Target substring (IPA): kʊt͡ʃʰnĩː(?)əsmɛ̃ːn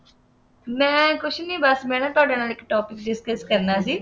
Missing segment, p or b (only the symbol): b